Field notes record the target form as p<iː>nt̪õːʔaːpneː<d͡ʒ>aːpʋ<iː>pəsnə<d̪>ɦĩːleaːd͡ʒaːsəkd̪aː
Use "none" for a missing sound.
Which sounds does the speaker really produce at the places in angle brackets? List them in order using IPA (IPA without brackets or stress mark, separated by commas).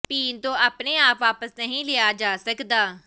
iː, none, aː, none